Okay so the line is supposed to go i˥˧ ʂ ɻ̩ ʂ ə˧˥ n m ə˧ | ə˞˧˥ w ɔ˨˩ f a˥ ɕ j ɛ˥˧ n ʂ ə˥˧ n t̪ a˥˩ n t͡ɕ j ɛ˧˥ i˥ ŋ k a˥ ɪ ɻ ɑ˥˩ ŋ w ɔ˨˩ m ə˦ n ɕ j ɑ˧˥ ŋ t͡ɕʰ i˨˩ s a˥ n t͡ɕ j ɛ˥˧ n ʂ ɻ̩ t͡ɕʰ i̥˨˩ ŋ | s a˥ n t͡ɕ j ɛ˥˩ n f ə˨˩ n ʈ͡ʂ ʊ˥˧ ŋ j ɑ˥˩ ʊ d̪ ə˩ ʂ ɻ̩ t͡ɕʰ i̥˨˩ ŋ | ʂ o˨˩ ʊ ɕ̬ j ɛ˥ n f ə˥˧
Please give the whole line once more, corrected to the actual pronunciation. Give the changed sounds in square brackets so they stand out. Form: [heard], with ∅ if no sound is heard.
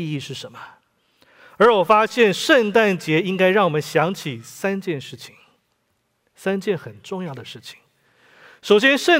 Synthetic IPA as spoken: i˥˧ ʂ ɻ̩ ʂ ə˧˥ n m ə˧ | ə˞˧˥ w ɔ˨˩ f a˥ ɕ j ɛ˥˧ n ʂ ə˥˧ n t̪ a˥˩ n t͡ɕ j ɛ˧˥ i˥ ŋ k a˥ ɪ ɻ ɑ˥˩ ŋ w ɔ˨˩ m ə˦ n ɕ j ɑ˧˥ ŋ t͡ɕʰ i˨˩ s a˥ n t͡ɕ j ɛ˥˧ n ʂ ɻ̩ t͡ɕʰ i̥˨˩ ŋ | s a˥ n t͡ɕ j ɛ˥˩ n [x] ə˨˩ n ʈ͡ʂ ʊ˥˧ ŋ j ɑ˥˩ ʊ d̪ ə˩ ʂ ɻ̩ t͡ɕʰ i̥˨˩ ŋ | ʂ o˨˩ ʊ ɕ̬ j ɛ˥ n [ʂ] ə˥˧